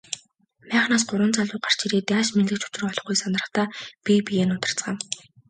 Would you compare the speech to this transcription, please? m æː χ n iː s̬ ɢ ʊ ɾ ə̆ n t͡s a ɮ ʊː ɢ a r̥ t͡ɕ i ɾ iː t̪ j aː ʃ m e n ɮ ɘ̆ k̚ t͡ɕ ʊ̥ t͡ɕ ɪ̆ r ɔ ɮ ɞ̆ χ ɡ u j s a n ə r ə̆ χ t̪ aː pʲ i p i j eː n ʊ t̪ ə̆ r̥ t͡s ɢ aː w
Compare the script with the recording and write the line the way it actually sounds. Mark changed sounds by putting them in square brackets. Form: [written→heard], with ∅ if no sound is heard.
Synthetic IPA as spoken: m æː χ n [iː→aː] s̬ ɢ ʊ ɾ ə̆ n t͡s a ɮ ʊː ɢ a r̥ t͡ɕ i ɾ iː t̪ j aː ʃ m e n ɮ ɘ̆ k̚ t͡ɕ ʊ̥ t͡ɕ ɪ̆ r ɔ ɮ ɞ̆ χ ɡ u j s a n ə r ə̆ χ t̪ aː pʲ i p i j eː n ʊ t̪ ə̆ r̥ t͡s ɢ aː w

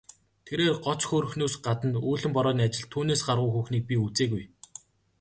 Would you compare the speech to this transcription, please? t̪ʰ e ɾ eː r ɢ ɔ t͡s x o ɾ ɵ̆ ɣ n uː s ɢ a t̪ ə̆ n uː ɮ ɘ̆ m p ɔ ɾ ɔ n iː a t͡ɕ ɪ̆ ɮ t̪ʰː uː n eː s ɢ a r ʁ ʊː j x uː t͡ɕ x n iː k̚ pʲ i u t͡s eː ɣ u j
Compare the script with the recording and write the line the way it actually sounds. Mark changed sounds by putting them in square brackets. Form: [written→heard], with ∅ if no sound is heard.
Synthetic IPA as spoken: t̪ʰ e ɾ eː r ɢ ɔ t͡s x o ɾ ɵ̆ [ɣ→x] n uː s ɢ a t̪ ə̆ n uː ɮ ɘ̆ m p ɔ ɾ [ɔ→ɔː] n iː a t͡ɕ ɪ̆ ɮ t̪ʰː uː n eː s ɢ a r ʁ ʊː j x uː [t͡ɕ→∅] x n iː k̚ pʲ i u t͡s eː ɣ u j

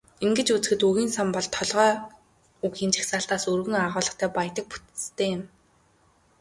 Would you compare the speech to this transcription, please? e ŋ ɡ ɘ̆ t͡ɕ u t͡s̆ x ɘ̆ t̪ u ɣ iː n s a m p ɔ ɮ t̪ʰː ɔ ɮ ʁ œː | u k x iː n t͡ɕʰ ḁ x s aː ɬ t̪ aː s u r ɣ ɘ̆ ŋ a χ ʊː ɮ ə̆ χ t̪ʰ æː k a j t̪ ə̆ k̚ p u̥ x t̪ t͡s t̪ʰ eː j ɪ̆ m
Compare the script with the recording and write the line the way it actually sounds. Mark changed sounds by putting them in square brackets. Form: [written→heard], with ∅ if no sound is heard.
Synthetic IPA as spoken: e ŋ ɡ ɘ̆ t͡ɕ u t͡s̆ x ɘ̆ t̪ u ɣ iː n s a m p ɔ ɮ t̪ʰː ɔ ɮ ʁ œː | u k x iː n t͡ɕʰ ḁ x s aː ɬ t̪ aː s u r ɣ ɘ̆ ŋ a [χ→ʁ] ʊː ɮ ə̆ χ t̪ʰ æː [k→p] a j t̪ ə̆ k̚ p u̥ [x→∅] t̪ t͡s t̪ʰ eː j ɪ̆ m

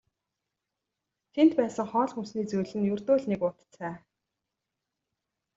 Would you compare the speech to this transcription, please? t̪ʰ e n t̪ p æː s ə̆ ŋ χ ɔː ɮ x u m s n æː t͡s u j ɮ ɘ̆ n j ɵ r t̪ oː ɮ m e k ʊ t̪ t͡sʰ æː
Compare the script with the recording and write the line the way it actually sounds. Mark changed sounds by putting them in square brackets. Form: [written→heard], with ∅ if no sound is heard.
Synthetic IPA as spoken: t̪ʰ e n t̪ p æː s ə̆ ŋ χ ɔː ɮ x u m s n [æː→iː] t͡s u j ɮ ɘ̆ n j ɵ r t̪ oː ɮ [m→n] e k ʊ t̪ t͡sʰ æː

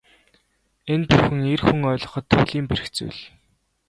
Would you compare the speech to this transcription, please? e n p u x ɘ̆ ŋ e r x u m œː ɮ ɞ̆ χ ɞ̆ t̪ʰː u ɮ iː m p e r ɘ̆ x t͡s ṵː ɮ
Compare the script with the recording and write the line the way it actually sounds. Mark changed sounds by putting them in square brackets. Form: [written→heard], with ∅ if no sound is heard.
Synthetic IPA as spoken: e n p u x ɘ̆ ŋ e r x u [m→ŋ] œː ɮ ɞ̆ χ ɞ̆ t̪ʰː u ɮ iː m p e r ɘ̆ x t͡s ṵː ɮ

